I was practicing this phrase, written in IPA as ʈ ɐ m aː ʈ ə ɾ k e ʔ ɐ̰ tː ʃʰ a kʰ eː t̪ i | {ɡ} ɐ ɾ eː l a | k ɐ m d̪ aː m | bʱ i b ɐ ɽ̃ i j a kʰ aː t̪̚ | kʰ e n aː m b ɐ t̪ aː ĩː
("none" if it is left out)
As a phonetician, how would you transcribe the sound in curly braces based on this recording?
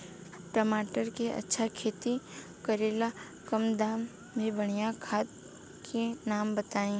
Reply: k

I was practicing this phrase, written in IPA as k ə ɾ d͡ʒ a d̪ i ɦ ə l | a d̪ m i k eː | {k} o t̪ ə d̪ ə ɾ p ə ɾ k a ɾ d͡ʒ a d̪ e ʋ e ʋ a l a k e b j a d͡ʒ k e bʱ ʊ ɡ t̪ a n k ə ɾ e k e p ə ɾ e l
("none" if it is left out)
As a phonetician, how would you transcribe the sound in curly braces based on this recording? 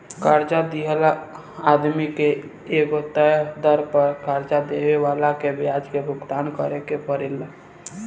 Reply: ɡ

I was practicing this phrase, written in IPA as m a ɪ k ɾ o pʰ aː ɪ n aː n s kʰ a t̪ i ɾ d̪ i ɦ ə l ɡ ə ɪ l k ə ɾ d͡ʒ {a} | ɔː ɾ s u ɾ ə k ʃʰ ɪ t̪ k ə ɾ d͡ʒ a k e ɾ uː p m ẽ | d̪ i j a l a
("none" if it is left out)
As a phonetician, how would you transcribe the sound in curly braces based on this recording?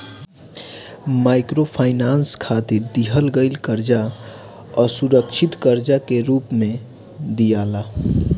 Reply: a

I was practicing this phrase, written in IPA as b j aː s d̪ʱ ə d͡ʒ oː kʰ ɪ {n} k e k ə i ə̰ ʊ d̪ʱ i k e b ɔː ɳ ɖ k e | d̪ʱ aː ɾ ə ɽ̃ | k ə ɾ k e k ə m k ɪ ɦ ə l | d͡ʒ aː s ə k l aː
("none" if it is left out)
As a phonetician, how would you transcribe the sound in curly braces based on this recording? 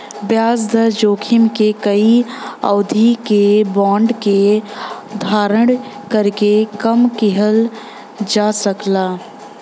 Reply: m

